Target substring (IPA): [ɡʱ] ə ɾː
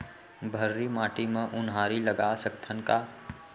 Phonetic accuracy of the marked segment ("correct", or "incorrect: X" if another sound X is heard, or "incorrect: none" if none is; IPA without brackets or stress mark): incorrect: bʱ